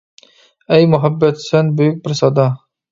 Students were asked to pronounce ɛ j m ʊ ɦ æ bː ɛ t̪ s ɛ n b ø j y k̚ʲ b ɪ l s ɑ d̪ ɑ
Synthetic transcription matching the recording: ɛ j m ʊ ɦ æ bː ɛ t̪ s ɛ n b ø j y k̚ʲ b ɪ ɾ s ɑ d̪ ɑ